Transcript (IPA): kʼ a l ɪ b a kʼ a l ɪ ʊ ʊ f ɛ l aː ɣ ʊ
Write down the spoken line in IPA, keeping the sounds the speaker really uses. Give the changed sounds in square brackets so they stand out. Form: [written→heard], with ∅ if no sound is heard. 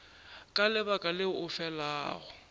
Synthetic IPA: kʼ a l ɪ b a kʼ a l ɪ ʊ ʊ f ɛ l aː ɣ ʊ